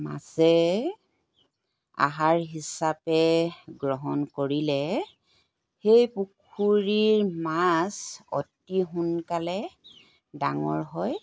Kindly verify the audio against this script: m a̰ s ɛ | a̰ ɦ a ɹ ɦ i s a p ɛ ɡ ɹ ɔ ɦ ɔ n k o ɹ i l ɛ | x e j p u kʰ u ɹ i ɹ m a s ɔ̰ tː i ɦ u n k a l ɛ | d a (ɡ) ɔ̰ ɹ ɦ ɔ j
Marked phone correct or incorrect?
incorrect